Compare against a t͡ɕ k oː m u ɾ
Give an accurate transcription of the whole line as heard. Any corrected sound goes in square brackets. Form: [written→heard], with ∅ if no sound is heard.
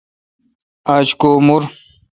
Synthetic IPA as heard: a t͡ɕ k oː m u ɾ